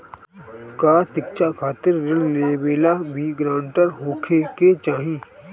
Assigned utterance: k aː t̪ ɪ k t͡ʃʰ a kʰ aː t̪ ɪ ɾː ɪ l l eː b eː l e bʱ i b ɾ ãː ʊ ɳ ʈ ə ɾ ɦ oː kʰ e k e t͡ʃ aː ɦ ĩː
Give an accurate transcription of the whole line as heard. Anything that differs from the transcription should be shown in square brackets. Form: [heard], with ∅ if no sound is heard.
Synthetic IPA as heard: k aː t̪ ɪ k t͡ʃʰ a kʰ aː t̪ ɪ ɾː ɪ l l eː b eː l [a] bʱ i [ɡ] ɾ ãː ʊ ɳ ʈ ə ɾ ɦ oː kʰ e k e t͡ʃ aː ɦ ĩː